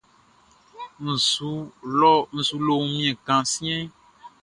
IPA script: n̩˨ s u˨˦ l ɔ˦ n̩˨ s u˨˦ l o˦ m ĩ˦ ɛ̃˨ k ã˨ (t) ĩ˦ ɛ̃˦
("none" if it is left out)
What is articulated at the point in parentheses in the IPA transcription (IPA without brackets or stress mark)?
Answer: s